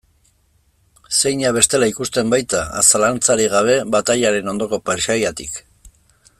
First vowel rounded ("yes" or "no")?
no